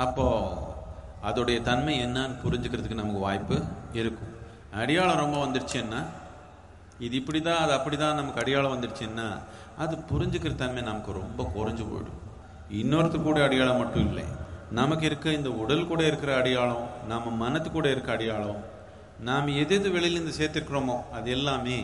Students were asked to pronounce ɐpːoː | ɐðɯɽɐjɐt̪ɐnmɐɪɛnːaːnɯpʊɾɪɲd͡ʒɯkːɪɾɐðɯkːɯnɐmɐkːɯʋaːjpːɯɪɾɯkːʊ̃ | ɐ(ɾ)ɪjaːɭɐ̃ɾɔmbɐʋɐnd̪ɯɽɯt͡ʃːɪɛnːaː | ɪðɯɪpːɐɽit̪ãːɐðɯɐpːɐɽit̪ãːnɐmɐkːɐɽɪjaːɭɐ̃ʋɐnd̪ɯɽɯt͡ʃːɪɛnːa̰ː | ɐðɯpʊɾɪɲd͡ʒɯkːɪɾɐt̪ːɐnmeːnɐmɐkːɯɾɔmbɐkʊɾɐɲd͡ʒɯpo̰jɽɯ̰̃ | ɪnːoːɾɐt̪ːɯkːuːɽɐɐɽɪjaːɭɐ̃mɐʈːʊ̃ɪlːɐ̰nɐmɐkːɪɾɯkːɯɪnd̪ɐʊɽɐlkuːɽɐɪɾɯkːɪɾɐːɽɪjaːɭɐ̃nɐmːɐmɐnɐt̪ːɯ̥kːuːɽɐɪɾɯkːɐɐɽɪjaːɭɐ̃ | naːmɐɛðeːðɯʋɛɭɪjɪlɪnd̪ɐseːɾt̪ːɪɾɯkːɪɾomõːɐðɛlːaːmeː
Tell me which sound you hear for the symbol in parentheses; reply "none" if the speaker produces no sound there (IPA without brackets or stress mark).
ɽ